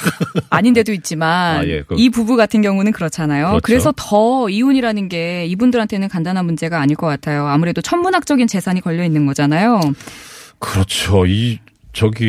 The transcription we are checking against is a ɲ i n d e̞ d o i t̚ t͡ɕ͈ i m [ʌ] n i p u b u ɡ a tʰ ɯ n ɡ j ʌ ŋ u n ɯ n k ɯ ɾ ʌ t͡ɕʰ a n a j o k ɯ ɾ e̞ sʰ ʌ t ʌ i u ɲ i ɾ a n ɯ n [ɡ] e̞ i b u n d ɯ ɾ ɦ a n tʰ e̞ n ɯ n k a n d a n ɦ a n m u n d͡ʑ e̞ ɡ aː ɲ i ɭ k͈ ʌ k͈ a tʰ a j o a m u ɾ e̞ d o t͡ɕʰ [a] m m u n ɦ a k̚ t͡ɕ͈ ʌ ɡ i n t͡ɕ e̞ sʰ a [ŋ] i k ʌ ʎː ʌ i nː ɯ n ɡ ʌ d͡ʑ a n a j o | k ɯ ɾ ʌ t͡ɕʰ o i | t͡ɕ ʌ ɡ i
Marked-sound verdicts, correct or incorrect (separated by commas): incorrect, correct, incorrect, incorrect